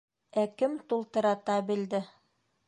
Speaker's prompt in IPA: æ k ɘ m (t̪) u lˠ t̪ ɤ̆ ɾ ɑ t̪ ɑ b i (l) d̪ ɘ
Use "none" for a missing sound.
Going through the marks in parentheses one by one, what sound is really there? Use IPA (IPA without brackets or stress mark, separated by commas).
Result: t̪, l